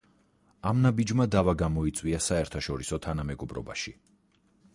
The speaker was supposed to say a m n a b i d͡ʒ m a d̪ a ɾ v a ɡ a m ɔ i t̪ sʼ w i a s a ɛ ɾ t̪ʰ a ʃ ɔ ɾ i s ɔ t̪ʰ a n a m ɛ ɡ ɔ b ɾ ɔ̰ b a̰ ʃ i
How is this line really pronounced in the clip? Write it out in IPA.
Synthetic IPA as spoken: a m n a b i d͡ʒ m a d̪ a v a ɡ a m ɔ i t̪ sʼ w i a s a ɛ ɾ t̪ʰ a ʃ ɔ ɾ i s ɔ t̪ʰ a n a m ɛ ɡ ɔ b ɾ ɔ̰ b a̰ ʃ i

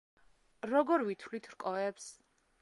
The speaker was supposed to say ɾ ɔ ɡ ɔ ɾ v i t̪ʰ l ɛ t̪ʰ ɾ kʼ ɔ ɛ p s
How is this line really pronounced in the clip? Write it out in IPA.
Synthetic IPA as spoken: ɾ ɔ ɡ ɔ ɾ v i t̪ʰ l i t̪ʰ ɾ kʼ ɔ ɛ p s

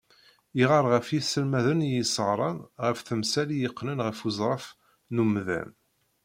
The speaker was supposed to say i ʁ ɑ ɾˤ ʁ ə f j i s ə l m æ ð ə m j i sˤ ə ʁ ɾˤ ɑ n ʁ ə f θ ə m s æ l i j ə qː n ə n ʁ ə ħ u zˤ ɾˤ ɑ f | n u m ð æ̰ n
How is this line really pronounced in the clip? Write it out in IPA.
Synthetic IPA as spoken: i ʁ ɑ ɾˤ ʁ ə f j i s ə l m æ ð ə n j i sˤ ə ʁ ɾˤ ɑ n ʁ ə f θ ə m s æ l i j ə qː n ə n ʁ ə f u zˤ ɾˤ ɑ f | n u m ð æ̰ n

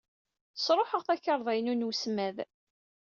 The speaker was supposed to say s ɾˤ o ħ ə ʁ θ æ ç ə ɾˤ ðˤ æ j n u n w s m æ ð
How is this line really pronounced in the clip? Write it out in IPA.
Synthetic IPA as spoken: s ɾˤ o ħ ə ʁ θ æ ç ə ɾˤ ðˤ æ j n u n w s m æ ð

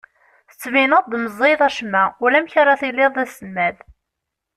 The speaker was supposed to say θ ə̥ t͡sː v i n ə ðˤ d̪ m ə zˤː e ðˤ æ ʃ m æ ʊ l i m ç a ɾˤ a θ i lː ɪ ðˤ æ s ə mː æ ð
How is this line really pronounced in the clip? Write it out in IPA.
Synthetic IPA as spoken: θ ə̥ t͡sː v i n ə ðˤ d̪ m ə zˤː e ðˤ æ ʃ m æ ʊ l æ m ç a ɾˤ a θ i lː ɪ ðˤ æ s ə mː æ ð

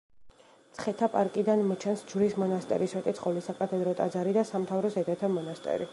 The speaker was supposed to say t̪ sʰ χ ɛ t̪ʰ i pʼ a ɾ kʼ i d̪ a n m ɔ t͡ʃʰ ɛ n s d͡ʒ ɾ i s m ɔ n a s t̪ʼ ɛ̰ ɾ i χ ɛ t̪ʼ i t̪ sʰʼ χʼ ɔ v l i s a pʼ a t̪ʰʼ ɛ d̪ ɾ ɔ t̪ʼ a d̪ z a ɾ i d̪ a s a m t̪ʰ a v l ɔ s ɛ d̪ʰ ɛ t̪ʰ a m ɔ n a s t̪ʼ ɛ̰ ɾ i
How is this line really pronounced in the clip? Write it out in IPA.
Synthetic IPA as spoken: t̪ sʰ χ ɛ t̪ʰ a pʼ a ɾ kʼ i d̪ a n m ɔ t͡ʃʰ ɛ n s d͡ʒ ɾ i s m ɔ n a s t̪ʼ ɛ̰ ɾ i s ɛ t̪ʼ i t̪ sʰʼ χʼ ɔ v l i s a kʼ a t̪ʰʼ ɛ d̪ ɾ ɔ t̪ʼ a d̪ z a ɾ i d̪ a s a m t̪ʰ a v ɾ ɔ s ɛ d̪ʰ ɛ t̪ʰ a m ɔ n a s t̪ʼ ɛ̰ ɾ i

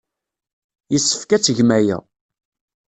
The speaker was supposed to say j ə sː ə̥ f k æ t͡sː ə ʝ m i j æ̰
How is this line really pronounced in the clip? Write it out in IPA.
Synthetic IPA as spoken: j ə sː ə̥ f k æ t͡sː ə ʝ m æ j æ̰

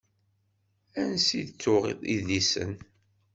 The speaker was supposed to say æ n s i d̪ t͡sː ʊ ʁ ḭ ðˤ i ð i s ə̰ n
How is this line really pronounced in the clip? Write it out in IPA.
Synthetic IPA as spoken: æ n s i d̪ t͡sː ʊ ʁ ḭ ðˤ i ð i s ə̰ n

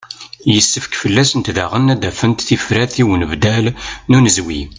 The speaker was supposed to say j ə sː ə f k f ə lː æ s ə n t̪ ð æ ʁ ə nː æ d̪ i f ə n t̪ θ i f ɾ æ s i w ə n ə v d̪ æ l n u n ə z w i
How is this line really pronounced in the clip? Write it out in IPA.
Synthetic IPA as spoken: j ə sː ə f k f ə lː æ s ə n t̪ ð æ ʁ ə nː æ d̪ æ f ə n t̪ θ i f ɾ æ θ i w ə n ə v d̪ æ l n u n ə z w i

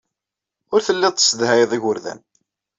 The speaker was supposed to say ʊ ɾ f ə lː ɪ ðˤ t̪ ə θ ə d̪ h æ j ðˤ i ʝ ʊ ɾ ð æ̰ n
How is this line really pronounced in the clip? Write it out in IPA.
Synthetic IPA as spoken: ʊ ɾ θ ə lː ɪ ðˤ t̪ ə s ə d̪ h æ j ðˤ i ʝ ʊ ɾ ð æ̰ n

